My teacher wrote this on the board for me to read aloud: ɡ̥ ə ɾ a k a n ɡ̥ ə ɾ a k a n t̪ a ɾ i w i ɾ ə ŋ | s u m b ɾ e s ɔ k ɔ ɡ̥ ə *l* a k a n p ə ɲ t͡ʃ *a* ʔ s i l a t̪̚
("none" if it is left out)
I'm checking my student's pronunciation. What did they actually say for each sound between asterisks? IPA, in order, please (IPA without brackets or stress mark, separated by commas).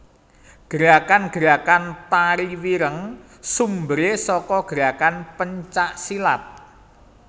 ɾ, a